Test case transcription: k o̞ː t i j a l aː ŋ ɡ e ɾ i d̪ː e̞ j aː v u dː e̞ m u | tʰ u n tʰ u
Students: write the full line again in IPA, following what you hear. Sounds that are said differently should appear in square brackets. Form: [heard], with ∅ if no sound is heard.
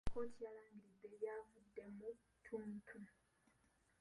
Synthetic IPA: k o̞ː t i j a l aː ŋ ɡ [i] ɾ i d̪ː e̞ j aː v u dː e̞ m u | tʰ u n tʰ u